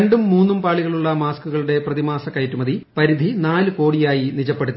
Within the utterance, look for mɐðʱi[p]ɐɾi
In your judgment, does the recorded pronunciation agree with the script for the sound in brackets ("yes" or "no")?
yes